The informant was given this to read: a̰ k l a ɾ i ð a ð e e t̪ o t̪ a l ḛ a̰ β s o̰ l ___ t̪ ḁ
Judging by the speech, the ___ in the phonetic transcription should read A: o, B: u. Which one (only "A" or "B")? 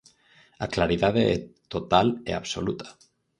B